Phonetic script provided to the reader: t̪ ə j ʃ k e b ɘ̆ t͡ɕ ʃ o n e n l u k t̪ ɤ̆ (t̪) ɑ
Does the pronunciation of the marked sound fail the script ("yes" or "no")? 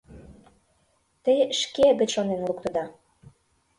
yes